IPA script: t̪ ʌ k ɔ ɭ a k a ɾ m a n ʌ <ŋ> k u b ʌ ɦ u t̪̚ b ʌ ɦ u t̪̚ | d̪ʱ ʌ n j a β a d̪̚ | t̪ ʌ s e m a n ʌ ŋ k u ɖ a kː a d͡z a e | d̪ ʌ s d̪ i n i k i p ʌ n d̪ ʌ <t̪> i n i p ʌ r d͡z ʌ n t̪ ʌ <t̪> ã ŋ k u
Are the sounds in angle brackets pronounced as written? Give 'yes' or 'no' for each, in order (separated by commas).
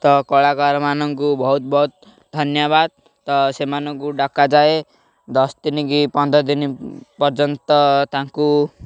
yes, no, yes